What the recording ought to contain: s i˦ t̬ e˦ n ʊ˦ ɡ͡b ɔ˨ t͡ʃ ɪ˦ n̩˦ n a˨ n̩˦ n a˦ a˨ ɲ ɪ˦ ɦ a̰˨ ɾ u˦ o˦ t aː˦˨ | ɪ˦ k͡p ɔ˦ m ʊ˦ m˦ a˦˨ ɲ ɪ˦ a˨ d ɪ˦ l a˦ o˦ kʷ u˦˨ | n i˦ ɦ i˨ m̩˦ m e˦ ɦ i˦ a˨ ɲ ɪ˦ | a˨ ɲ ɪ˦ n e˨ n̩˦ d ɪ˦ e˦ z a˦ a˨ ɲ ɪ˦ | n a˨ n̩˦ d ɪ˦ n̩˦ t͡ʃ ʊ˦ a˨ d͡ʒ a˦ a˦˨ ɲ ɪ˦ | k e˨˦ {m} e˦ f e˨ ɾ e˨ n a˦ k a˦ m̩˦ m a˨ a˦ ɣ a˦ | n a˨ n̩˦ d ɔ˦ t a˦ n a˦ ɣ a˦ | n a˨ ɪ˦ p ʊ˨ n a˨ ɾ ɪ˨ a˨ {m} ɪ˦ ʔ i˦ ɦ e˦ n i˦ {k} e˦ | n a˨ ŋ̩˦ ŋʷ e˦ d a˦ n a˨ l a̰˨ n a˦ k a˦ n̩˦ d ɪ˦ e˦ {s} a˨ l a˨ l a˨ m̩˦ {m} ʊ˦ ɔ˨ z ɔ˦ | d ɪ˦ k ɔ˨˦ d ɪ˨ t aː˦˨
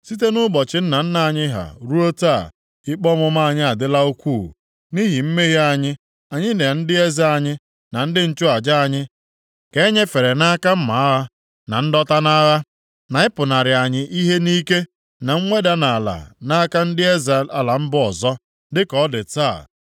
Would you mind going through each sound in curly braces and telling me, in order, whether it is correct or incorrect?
incorrect: ɲ, incorrect: ɲ, correct, incorrect: z, incorrect: b

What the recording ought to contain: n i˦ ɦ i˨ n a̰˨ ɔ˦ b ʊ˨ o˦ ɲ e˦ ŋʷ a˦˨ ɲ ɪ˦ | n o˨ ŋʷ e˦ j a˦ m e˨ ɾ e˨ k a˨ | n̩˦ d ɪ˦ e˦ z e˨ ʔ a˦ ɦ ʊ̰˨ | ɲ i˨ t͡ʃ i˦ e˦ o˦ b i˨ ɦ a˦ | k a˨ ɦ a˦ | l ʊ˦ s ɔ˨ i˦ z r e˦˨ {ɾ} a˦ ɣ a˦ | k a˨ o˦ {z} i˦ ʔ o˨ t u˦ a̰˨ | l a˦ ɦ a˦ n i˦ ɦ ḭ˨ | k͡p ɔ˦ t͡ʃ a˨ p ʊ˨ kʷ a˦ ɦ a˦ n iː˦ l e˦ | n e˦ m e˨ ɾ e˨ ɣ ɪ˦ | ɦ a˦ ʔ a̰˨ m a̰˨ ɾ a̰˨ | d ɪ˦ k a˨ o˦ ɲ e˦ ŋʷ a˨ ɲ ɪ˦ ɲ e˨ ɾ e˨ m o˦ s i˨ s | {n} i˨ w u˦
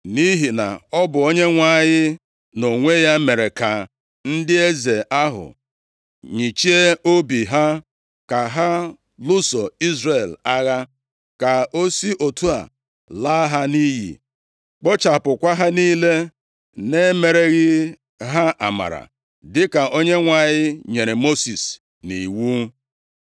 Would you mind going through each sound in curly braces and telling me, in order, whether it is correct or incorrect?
incorrect: l, incorrect: s, correct

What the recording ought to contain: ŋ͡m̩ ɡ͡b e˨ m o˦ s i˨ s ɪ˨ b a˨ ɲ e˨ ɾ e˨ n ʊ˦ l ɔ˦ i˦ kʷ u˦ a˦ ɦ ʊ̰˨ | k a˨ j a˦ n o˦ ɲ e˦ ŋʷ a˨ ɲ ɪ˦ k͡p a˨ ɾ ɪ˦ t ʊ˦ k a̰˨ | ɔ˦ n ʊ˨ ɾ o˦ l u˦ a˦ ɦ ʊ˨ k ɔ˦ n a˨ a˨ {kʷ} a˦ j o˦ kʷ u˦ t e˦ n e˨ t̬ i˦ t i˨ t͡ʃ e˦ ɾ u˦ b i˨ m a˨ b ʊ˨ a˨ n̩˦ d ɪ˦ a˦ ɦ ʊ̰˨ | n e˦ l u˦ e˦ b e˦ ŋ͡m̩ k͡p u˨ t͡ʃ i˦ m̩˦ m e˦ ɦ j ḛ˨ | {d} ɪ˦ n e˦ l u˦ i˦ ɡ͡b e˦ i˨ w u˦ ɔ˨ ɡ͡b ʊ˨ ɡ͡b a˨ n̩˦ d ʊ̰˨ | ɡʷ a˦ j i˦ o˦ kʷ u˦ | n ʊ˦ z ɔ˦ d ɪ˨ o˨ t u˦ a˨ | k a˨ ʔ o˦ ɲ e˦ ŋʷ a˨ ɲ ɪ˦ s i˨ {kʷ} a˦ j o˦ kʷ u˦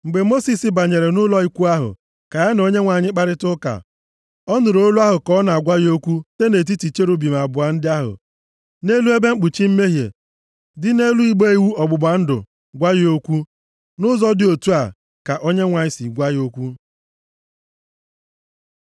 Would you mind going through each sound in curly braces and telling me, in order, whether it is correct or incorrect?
incorrect: ɡʷ, correct, incorrect: ɡʷ

